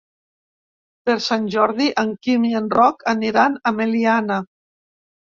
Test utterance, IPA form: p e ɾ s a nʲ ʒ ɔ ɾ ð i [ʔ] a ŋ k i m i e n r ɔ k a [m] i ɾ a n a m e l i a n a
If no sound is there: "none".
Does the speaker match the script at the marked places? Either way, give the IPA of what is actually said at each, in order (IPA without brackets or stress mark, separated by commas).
ʔ, n